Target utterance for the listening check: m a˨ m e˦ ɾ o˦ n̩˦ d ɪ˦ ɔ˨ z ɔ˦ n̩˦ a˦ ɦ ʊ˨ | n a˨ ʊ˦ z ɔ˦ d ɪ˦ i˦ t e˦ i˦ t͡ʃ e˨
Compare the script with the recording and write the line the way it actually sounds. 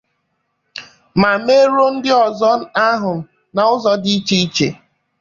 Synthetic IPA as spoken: m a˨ m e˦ ɾ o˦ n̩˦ d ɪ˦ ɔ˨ z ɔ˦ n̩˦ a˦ ɦ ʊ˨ | n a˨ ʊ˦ z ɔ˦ d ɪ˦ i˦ t͡ʃ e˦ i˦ t͡ʃ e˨